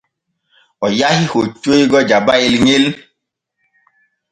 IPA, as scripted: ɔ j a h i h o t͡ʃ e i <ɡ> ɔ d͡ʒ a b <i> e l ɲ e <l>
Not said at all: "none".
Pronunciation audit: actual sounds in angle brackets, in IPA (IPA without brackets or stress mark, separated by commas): ɡ, a, l